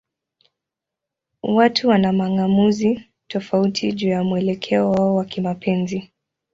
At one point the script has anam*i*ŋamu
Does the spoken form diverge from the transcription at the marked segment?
yes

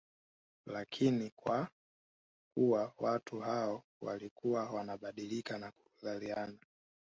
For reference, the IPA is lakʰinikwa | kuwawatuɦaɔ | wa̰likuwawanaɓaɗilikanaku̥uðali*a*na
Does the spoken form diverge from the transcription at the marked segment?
no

